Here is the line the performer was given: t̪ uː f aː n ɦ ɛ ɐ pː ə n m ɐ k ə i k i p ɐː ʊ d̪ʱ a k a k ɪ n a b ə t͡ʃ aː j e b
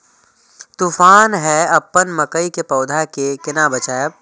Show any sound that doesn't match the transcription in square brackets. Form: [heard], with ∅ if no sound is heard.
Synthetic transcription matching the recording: t̪ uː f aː n ɦ ɛ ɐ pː ə n m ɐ k ə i k [e] p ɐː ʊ d̪ʱ a k [e] k ɪ n a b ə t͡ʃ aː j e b